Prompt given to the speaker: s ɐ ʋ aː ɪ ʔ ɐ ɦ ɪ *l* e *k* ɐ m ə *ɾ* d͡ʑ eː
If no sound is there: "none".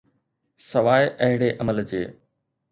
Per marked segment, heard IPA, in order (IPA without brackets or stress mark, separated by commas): ɽ, ʔ, l